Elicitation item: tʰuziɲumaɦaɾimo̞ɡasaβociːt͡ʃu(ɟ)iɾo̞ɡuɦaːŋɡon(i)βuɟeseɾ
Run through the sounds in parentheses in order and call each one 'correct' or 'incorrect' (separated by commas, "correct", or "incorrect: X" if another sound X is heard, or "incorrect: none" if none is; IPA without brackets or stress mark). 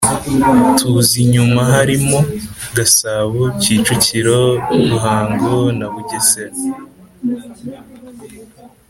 incorrect: c, incorrect: a